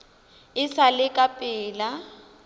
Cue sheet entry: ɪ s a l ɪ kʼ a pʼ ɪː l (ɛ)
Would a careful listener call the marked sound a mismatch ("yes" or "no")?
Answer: yes